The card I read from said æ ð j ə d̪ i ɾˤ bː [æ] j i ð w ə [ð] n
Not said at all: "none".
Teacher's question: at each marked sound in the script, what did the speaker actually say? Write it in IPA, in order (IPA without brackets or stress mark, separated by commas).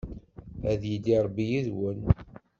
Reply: i, none